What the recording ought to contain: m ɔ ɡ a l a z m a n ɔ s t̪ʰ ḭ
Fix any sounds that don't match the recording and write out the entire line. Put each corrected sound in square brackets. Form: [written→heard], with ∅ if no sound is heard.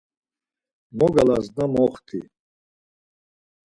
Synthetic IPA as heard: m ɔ ɡ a l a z [m→n] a [n→m] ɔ [s→χ] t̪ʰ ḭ